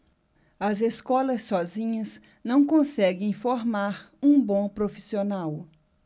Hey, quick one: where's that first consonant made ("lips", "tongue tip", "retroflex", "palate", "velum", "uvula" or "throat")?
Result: tongue tip